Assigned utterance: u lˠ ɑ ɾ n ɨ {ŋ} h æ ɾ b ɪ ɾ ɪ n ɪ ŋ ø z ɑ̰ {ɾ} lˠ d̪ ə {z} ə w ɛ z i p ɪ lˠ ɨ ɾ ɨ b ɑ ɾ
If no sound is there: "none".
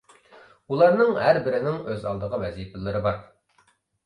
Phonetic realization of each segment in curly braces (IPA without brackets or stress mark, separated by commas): ŋ, none, ʁ